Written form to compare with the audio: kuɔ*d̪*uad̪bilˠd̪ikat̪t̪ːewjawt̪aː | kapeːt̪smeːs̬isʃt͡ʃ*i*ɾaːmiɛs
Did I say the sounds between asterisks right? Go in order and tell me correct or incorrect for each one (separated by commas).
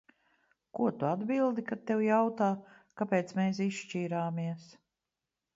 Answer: incorrect, incorrect